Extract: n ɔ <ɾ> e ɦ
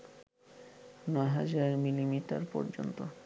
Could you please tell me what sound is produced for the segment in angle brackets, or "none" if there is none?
none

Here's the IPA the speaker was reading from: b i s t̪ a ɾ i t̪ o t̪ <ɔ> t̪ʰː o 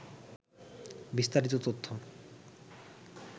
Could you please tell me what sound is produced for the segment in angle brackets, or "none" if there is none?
o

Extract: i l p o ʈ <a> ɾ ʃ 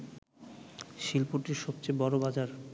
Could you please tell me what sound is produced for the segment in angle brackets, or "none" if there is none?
i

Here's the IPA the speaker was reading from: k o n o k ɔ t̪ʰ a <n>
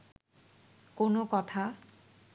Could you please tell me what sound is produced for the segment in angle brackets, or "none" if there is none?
none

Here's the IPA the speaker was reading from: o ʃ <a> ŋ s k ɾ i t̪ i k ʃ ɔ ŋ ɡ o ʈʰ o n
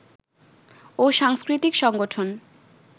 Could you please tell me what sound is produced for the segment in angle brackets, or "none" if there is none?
a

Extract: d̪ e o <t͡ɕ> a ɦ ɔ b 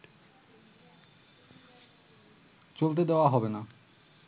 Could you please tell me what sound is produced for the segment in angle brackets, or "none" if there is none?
none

